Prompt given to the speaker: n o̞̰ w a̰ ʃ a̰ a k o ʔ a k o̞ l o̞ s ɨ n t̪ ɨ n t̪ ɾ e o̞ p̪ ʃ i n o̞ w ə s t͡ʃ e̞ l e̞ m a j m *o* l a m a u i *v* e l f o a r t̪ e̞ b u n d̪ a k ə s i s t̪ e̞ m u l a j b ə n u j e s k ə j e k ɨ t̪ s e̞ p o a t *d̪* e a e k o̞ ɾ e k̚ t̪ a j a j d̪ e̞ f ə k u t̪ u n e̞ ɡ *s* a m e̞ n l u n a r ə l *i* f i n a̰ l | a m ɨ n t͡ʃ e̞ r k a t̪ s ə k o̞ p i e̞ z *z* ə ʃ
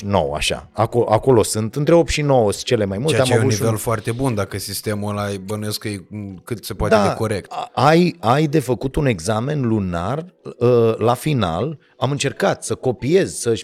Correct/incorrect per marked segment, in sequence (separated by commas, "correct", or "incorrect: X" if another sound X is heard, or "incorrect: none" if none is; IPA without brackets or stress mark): incorrect: u, correct, correct, incorrect: z, incorrect: a, incorrect: s